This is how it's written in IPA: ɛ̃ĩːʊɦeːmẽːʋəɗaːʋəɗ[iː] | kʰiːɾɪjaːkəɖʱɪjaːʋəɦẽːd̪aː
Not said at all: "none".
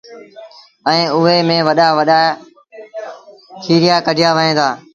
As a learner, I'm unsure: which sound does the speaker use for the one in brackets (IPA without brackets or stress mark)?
aː